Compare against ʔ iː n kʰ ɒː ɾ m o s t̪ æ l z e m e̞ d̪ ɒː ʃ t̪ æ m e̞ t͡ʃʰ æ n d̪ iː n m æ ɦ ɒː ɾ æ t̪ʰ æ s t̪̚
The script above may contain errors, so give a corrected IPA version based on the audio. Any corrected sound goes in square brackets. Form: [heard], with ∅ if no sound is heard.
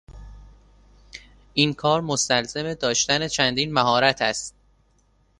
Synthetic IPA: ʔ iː n kʰ ɒː ɾ m o s t̪ æ l z e m e̞ d̪ ɒː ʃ t̪ æ [n] e̞ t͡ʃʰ æ n d̪ iː n m æ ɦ ɒː ɾ æ t̪ʰ æ s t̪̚